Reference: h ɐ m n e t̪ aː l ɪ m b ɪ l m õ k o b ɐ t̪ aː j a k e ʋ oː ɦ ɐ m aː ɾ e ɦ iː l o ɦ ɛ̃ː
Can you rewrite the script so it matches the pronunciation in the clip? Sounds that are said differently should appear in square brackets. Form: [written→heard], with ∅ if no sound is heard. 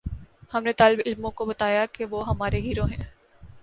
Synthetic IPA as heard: h ɐ m n e t̪ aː l ɪ [m→∅] b ɪ l m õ k o b ɐ t̪ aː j a k e ʋ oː ɦ ɐ m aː ɾ e ɦ iː [l→ɾ] o ɦ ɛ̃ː